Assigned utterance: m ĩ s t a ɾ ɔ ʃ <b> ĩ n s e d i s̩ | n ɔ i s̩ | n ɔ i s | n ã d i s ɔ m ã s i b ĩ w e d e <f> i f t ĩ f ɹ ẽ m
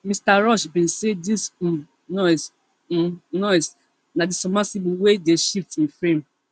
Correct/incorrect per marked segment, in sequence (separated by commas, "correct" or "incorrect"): correct, incorrect